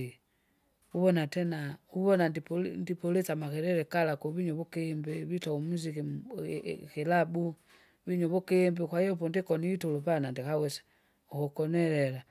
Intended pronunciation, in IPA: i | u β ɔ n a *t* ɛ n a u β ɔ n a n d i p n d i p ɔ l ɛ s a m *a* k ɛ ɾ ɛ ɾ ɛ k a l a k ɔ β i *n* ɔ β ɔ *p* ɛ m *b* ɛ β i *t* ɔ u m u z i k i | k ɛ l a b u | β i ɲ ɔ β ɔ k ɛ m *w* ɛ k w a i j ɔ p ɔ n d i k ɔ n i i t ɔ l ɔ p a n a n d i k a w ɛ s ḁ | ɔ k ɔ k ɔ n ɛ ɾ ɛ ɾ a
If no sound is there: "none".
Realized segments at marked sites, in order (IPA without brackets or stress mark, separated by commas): t, a, ɲ, k, b, t, b